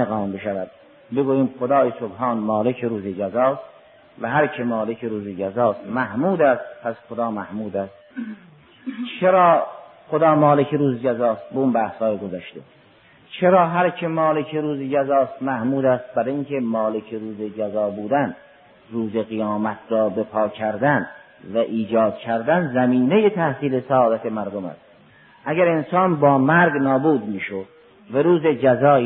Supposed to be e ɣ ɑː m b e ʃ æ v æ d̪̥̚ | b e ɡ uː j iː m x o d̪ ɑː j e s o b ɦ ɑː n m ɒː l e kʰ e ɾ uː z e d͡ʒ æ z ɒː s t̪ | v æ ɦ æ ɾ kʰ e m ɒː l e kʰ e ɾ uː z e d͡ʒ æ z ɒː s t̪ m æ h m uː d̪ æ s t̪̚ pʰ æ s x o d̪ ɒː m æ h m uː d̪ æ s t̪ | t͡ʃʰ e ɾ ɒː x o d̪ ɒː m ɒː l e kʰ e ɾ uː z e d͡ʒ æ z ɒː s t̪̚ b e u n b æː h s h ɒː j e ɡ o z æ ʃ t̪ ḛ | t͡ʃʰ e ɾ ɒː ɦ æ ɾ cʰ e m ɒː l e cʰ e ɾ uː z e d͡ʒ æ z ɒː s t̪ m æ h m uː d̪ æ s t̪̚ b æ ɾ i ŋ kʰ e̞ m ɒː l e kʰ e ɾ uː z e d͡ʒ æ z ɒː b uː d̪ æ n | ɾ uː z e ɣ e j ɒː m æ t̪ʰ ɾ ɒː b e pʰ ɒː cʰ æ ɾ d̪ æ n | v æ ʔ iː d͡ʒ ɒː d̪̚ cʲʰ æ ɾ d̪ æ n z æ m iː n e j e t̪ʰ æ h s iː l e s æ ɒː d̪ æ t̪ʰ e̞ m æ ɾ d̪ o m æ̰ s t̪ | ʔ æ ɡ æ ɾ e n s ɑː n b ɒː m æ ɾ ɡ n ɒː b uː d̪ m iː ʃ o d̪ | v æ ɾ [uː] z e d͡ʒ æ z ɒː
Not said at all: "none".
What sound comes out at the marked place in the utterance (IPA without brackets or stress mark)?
uː